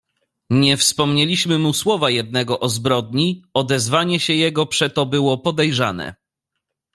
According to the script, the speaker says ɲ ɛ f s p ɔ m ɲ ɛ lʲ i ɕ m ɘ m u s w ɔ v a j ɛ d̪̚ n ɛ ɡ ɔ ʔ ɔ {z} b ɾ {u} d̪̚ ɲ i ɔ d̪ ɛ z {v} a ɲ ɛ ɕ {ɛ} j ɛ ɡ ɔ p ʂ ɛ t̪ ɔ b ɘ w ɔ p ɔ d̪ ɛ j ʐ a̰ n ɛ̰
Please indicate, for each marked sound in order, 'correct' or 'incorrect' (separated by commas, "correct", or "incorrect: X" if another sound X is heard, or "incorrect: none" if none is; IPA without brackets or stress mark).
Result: correct, incorrect: ɔ, correct, correct